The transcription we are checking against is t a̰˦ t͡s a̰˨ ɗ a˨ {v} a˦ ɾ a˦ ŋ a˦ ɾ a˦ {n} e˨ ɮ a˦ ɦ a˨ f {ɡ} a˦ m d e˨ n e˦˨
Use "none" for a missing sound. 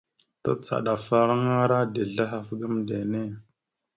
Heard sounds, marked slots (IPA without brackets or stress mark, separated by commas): f, d, ɡ